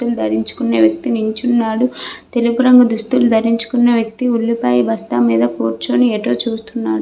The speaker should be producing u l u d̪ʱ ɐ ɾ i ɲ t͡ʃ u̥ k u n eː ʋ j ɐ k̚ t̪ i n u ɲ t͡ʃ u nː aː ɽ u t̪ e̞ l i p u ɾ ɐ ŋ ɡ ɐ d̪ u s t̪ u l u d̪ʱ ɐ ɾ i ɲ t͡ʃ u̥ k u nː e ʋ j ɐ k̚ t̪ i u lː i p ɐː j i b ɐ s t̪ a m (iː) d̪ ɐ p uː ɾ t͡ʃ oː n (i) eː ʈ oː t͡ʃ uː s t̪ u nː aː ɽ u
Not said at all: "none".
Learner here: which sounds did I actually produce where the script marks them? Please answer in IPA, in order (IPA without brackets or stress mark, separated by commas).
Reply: iː, i